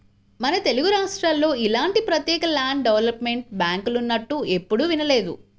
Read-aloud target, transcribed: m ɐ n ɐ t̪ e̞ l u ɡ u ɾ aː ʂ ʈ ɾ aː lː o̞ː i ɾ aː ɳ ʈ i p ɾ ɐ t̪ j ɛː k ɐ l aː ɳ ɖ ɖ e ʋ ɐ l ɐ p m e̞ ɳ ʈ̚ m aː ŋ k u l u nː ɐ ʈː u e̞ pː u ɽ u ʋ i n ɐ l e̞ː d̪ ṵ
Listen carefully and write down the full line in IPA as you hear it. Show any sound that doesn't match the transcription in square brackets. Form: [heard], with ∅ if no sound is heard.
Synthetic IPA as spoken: m ɐ n ɐ t̪ e̞ l u ɡ u ɾ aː ʂ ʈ ɾ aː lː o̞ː i [l] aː ɳ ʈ i p ɾ ɐ t̪ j ɛː k ɐ l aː ɳ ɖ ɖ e ʋ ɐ l ɐ p m e̞ ɳ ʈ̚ [b] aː ŋ k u l u nː ɐ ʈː u e̞ pː u ɽ u ʋ i n ɐ l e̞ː d̪ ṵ